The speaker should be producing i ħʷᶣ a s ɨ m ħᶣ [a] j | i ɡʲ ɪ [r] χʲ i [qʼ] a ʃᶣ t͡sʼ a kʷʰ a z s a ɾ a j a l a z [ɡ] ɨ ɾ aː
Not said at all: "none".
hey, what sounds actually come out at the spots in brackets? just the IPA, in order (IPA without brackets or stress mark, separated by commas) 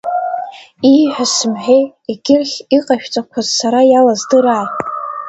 e, r, qʼ, d